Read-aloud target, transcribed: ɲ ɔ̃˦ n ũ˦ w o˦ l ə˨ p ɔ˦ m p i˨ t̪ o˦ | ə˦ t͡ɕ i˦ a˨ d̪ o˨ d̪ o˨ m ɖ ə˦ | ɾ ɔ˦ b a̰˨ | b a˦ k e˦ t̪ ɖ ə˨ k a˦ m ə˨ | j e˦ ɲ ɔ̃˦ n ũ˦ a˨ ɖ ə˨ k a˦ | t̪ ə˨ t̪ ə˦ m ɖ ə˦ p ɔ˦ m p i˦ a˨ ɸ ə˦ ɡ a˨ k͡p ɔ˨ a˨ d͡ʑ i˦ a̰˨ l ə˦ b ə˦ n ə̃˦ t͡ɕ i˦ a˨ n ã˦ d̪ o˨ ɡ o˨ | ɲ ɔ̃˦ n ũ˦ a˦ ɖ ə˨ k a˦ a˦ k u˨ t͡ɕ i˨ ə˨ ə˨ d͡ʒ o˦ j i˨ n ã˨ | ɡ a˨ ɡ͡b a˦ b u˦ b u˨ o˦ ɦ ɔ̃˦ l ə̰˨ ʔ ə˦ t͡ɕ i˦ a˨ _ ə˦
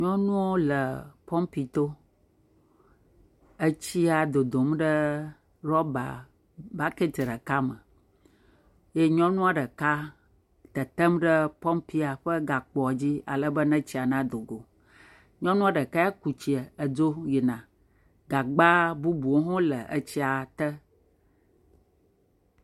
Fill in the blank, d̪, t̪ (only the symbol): t̪